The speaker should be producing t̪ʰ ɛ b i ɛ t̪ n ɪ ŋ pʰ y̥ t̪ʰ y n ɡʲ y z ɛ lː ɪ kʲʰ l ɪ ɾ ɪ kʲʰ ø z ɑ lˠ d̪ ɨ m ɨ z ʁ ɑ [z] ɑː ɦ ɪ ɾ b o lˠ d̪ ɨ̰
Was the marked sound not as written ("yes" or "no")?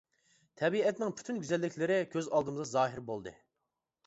no